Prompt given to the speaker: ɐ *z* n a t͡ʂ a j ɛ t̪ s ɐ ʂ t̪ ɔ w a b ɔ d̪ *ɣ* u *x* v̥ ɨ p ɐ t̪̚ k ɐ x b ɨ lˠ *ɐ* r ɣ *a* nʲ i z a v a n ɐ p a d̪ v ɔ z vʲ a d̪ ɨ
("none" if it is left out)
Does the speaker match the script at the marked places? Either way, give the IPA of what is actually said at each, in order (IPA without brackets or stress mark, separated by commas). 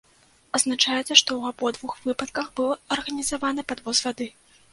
z, v, x, ɐ, ɐ